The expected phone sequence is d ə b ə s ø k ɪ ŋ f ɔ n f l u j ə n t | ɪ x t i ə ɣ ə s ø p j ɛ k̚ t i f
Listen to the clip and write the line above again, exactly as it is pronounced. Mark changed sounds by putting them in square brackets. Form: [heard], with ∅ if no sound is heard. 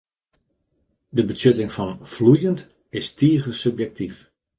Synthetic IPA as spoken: d ə b ə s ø [t] ɪ ŋ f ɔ n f l u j ə n t | ɪ [s] t i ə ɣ ə s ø p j ɛ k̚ t i f